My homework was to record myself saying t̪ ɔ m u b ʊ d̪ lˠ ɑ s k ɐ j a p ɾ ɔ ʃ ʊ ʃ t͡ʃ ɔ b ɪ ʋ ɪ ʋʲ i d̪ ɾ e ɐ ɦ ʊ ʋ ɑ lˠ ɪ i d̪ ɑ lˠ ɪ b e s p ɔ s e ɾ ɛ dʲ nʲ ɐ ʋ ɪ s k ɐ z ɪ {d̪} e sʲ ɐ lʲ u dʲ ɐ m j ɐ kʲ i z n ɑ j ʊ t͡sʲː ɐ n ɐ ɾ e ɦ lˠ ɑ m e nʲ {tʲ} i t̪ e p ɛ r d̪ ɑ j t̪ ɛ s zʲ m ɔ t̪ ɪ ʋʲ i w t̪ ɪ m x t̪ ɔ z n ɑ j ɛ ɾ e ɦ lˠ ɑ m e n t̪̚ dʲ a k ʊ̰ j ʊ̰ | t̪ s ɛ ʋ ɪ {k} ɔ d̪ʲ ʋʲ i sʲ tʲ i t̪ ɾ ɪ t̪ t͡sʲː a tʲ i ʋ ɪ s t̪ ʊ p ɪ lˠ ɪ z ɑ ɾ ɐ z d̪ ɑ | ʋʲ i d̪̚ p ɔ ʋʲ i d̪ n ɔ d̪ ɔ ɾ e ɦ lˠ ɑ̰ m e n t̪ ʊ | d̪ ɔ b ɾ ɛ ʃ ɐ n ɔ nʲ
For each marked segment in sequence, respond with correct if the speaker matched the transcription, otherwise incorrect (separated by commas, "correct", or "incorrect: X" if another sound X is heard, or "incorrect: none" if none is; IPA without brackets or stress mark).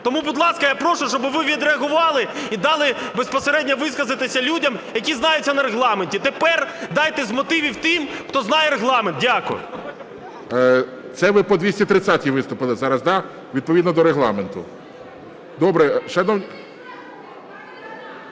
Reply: incorrect: t̪, correct, incorrect: p